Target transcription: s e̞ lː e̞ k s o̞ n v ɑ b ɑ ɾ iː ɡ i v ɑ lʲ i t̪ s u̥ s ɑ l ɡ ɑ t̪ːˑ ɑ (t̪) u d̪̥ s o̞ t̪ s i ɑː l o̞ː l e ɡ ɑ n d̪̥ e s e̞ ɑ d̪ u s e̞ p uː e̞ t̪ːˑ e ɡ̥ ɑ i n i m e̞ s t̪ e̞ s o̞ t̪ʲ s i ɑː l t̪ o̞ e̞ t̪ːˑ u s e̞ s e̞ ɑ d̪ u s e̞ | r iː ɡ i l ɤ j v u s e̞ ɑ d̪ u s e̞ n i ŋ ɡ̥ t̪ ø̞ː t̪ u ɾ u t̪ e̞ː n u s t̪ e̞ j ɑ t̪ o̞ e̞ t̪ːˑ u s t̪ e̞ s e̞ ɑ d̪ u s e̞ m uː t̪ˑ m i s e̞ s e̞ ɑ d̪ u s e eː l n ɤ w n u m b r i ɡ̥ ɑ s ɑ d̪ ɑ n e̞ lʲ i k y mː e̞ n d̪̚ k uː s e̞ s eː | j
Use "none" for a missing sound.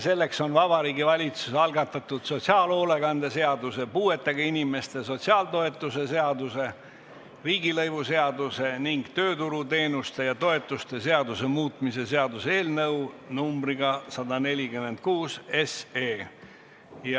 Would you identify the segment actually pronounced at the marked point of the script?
t̪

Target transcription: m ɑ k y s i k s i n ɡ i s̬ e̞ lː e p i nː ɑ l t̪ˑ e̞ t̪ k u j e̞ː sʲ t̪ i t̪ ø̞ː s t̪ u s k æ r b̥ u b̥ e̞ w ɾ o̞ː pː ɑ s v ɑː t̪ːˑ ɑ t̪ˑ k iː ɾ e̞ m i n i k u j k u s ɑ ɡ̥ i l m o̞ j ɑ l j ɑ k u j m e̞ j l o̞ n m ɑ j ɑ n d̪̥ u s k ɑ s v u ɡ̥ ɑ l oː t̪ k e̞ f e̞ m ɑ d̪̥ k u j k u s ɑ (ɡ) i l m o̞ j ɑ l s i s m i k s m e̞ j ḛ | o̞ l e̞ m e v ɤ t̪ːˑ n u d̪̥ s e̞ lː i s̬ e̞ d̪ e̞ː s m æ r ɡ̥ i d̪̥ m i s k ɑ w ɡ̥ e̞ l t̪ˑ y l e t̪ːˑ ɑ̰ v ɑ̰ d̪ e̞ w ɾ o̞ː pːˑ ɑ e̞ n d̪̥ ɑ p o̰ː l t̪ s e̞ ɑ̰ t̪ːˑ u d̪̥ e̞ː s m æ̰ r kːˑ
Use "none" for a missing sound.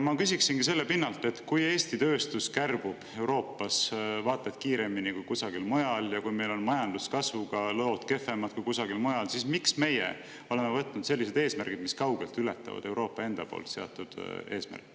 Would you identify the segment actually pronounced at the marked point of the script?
ɡ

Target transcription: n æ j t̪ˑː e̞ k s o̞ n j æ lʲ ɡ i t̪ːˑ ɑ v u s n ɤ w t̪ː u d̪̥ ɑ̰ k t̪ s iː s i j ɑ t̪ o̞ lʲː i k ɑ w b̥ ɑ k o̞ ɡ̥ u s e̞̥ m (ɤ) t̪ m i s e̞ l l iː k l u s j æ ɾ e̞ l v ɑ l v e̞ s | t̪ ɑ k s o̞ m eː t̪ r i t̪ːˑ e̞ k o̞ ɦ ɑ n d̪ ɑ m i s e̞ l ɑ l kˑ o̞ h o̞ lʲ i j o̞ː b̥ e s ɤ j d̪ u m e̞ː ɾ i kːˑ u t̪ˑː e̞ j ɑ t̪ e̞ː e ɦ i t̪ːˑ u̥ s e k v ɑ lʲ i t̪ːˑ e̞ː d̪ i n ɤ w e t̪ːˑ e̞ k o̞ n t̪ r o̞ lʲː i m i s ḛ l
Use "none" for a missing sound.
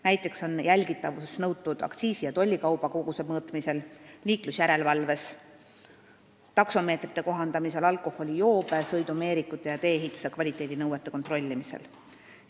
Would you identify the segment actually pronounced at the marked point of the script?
ɤː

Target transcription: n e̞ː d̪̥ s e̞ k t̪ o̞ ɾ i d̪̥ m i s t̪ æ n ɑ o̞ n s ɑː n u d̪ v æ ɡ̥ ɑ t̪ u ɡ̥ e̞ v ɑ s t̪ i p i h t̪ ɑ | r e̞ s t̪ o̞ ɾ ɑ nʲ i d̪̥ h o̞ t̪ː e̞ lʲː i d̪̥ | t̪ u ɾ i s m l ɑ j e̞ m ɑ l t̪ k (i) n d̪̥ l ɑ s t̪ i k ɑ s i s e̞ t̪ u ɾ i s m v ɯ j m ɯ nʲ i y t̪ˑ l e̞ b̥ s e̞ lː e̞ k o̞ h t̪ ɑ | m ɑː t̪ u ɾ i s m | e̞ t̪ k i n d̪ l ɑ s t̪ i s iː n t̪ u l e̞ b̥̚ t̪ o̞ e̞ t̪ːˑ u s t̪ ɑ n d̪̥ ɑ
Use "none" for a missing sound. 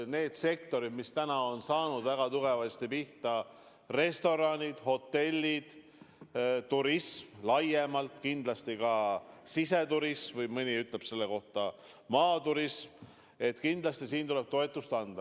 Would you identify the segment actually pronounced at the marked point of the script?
i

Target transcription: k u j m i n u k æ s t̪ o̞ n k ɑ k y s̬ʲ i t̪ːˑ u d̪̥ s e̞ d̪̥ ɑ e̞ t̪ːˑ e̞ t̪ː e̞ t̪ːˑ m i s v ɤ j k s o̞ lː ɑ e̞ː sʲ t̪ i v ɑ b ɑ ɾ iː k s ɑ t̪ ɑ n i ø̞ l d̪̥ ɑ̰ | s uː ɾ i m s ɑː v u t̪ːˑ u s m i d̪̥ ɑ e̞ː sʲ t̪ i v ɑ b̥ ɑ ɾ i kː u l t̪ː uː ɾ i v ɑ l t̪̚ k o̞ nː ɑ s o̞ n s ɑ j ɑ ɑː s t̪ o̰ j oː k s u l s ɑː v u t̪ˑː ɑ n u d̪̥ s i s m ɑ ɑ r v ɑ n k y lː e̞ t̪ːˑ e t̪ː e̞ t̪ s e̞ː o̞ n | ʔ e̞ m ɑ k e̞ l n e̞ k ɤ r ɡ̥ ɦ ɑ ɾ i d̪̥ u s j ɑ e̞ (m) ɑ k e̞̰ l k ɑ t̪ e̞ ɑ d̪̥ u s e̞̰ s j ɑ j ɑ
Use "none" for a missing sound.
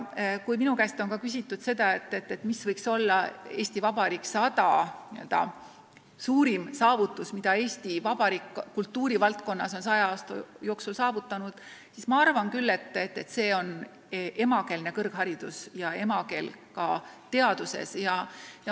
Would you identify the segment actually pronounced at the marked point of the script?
m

